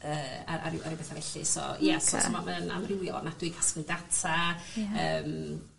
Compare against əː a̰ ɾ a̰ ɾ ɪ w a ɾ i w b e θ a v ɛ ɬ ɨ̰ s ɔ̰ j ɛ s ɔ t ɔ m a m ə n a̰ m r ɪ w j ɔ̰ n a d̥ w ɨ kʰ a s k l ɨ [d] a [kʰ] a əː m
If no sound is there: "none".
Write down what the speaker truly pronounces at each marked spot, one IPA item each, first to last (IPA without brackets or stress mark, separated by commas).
d, tʰ